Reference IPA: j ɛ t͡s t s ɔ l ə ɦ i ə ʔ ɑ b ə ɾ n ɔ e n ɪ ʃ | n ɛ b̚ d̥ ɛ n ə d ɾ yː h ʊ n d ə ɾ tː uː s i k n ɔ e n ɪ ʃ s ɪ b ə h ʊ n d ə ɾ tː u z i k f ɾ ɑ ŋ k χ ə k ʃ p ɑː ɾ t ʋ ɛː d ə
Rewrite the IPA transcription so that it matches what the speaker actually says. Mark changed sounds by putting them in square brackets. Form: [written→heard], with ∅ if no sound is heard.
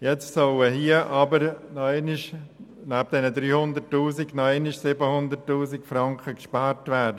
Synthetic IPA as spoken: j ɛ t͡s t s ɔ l ə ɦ i ə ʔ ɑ b ə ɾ n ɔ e n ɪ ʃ | n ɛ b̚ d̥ ɛ n ə d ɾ yː h ʊ n d ə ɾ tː uː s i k n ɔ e n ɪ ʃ s ɪ b ə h ʊ n d ə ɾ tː [u→uː] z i k f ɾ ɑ ŋ k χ ə k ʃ p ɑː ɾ t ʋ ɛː d ə

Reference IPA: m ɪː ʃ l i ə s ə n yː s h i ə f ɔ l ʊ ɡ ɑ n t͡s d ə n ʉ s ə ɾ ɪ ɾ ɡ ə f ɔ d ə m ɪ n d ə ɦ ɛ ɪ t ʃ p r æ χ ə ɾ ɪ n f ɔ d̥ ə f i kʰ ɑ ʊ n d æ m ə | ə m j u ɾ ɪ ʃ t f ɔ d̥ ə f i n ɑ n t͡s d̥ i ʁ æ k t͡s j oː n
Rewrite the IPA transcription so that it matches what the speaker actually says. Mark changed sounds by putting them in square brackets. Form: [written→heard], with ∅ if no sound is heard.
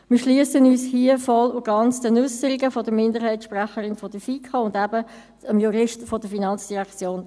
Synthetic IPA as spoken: m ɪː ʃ l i ə s ə n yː s h i ə f ɔ l ʊ ɡ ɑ n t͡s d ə n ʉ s ə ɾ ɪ [ɾ→∅] ɡ ə f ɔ d ə m ɪ n d ə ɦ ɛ ɪ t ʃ p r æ χ ə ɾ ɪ n f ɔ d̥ ə f i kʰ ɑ ʊ n d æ [m→b] ə | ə m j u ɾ ɪ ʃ t f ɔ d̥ ə f i n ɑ n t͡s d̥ i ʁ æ k t͡s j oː n

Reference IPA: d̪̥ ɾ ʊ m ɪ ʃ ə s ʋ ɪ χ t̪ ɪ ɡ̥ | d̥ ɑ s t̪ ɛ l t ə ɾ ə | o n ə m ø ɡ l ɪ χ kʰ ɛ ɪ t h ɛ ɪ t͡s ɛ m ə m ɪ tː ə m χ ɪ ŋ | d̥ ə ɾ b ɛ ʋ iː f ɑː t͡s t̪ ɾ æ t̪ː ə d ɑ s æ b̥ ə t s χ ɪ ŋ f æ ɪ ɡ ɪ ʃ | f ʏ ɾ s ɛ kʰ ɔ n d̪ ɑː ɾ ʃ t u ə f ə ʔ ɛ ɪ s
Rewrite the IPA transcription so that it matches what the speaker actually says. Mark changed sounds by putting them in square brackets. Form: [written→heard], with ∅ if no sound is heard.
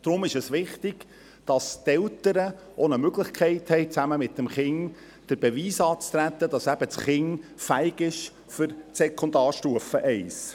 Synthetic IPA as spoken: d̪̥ ɾ ʊ m ɪ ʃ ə s ʋ ɪ χ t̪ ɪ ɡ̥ | d̥ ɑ s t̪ ɛ l t ə ɾ ə | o n ə m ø ɡ l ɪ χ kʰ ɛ ɪ t h ɛ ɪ t͡s [ɛ→æ] m ə m ɪ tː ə m χ ɪ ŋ | d̥ ə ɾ b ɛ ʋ iː [f→s] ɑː t͡s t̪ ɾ æ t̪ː ə d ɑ s æ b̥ ə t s χ ɪ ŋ f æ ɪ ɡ ɪ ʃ | f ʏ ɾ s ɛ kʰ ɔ n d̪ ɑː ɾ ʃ t u ə f ə ʔ ɛ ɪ s

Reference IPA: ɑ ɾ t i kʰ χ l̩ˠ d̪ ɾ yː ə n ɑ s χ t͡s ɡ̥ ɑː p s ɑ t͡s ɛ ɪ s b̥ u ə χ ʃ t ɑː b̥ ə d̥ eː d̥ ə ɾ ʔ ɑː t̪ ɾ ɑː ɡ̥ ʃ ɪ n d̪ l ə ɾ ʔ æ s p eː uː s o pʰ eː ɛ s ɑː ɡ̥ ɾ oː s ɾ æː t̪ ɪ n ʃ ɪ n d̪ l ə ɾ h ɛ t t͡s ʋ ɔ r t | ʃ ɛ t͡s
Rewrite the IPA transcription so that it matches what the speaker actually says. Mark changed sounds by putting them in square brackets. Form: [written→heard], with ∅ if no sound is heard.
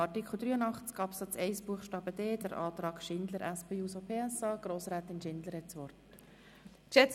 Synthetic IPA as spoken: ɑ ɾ t i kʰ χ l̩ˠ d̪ ɾ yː ə n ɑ [s→∅] χ t͡s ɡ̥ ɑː p s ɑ t͡s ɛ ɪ s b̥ u ə χ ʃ t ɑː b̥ ə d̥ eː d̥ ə ɾ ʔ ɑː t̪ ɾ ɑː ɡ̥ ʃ ɪ n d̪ l ə ɾ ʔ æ s p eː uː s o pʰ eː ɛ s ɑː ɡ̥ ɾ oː s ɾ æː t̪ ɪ n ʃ ɪ n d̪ l ə ɾ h ɛ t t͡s ʋ ɔ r t | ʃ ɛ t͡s

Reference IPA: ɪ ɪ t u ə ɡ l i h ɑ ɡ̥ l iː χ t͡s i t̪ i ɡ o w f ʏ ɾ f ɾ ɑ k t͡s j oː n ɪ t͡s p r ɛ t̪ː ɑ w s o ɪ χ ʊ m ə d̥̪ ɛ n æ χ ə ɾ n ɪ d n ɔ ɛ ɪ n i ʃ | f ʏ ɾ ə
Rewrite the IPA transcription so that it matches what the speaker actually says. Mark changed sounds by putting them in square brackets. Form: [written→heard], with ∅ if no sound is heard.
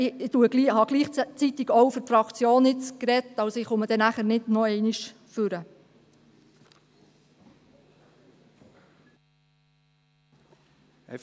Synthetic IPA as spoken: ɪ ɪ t u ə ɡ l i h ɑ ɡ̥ l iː χ t͡s i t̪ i ɡ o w f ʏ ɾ f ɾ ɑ k t͡s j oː n ɪ t͡s [p→k] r ɛ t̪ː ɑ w s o ɪ χ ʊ m ə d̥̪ ɛ n æ χ ə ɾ n ɪ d n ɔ ɛ ɪ n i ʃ | f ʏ ɾ ə

